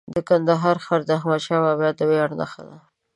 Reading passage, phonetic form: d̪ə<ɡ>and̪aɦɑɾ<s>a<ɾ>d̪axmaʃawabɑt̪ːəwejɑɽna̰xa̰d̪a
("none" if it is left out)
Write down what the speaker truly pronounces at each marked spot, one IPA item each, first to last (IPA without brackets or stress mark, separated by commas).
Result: k, x, ɾ